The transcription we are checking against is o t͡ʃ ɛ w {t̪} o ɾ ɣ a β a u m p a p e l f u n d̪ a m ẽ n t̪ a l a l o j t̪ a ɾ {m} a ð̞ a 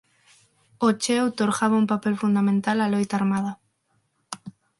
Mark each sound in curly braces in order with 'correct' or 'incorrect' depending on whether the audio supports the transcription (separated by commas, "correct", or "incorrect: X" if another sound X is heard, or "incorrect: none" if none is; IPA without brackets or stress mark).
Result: correct, correct